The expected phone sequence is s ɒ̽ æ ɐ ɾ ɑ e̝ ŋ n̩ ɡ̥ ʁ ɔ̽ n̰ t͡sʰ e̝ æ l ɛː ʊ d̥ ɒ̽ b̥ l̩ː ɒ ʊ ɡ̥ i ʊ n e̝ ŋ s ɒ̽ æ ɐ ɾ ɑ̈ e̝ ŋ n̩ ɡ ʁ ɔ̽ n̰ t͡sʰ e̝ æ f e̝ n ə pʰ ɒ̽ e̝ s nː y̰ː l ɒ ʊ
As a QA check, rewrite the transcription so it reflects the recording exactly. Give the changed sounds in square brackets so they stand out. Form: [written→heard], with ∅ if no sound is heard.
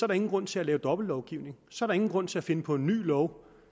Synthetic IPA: s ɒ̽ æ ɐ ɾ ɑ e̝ ŋ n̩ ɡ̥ ʁ ɔ̽ n̰ t͡sʰ e̝ æ l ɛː ʊ d̥ ɒ̽ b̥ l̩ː ɒ ʊ ɡ̥ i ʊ n e̝ ŋ s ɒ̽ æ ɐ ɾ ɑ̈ e̝ ŋ n̩ ɡ ʁ ɔ̽ n̰ t͡sʰ e̝ æ f e̝ n ə pʰ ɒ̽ e̝ [s→∅] nː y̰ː l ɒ ʊ